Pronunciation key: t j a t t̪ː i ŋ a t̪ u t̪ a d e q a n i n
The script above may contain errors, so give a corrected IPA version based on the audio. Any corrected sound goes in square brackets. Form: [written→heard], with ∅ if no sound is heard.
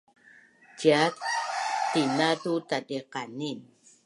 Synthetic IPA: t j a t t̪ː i [ŋ→n] a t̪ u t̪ a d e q a n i n